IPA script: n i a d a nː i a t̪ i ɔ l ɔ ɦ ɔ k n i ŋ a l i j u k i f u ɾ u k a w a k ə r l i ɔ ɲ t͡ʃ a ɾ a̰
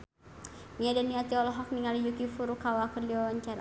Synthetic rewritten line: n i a d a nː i a t̪ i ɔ l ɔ ɦ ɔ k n i ŋ a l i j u k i f u ɾ u k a w a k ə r l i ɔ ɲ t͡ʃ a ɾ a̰

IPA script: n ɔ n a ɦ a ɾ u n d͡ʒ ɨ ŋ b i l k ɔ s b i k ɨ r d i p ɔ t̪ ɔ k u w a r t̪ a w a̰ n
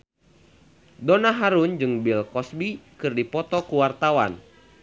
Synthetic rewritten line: d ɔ n a ɦ a ɾ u n d͡ʒ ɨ ŋ b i l k ɔ s b i k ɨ r d i p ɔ t̪ ɔ k u w a r t̪ a w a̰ n

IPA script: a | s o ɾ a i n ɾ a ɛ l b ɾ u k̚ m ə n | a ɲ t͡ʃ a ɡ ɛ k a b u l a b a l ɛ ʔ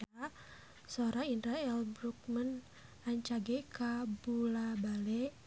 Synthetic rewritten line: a | s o ɾ a i n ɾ a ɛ l b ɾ u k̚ m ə n | a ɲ t͡ʃ a ɡ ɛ k a b u l a b a l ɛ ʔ

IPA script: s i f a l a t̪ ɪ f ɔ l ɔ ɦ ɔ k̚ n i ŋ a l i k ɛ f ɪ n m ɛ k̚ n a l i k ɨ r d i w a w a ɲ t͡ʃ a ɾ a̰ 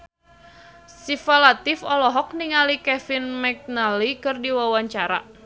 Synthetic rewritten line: s i f a l a t̪ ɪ f ɔ l ɔ ɦ ɔ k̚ n i ŋ a l i k ɛ f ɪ n m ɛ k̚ n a l i k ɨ r d i w a w a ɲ t͡ʃ a ɾ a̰

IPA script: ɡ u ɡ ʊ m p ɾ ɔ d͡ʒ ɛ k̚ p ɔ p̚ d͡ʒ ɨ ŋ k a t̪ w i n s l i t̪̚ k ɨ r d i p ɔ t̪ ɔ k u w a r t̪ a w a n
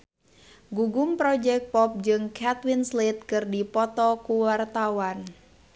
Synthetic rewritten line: ɡ u ɡ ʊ m p ɾ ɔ d͡ʒ ɛ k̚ p ɔ p̚ d͡ʒ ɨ ŋ k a t̪ w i n s l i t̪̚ k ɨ r d i p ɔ t̪ ɔ k u w a r t̪ a w a n

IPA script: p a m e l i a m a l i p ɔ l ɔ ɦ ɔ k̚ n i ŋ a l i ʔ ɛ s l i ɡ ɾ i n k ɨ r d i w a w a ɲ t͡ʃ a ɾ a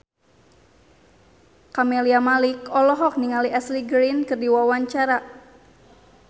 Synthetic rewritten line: k a m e l i a m a l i k ɔ l ɔ ɦ ɔ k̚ n i ŋ a l i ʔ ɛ s l i ɡ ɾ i n k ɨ r d i w a w a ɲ t͡ʃ a ɾ a

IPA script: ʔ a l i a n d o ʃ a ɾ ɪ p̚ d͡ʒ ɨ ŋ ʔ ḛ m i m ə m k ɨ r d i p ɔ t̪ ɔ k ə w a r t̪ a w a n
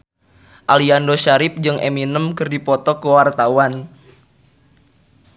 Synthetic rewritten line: ʔ a l i a n d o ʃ a ɾ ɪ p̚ d͡ʒ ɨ ŋ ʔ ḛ m i n ə m k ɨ r d i p ɔ t̪ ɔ k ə w a r t̪ a w a n

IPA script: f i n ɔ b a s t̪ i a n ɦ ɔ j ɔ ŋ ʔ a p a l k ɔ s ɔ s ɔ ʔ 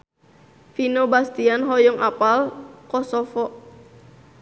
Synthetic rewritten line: f i n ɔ b a s t̪ i a n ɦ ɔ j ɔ ŋ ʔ a p a l k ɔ s ɔ f ɔ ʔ

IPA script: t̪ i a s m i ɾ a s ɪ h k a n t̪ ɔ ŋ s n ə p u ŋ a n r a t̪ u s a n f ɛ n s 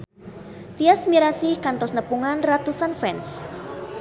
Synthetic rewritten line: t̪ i a s m i ɾ a s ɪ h k a n t̪ ɔ s n ə p u ŋ a n r a t̪ u s a n f ɛ n s

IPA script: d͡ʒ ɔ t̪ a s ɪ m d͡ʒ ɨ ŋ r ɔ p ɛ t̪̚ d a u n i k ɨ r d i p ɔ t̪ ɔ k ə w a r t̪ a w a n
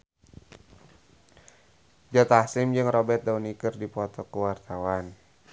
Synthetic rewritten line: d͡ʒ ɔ t̪ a s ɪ m d͡ʒ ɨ ŋ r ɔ b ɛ t̪̚ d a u n i k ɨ r d i p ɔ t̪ ɔ k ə w a r t̪ a w a n

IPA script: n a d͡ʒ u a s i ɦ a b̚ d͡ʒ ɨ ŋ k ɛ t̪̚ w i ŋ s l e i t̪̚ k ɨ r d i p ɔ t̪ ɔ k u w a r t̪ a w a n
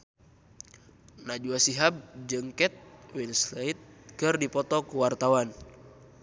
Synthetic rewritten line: n a d͡ʒ u a s i ɦ a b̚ d͡ʒ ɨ ŋ k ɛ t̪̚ w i n s l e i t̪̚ k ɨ r d i p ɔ t̪ ɔ k u w a r t̪ a w a n

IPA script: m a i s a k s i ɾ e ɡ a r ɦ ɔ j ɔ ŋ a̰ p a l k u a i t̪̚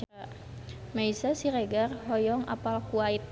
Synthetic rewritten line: m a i s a s i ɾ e ɡ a r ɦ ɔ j ɔ ŋ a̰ p a l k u a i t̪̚

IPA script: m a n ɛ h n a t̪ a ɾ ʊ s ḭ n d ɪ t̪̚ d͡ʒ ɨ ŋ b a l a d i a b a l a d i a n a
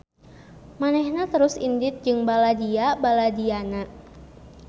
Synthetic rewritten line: m a n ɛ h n a t̪ ə ɾ ʊ s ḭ n d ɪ t̪̚ d͡ʒ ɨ ŋ b a l a d i a b a l a d i a n a

